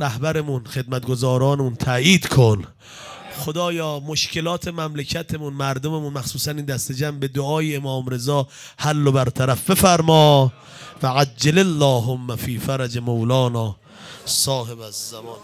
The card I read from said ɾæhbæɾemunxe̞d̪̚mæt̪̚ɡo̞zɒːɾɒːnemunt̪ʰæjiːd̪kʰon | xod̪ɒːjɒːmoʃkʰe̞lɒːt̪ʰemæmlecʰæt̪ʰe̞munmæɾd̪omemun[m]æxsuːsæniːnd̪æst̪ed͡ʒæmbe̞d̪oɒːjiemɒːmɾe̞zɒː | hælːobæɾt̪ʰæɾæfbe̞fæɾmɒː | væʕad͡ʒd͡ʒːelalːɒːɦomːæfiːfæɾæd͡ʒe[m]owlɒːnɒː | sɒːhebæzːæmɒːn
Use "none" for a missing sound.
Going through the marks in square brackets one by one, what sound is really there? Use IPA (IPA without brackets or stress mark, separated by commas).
m, m